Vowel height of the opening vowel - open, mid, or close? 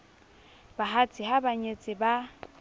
open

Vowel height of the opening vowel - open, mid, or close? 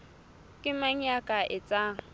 close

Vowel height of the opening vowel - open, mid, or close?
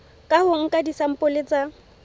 open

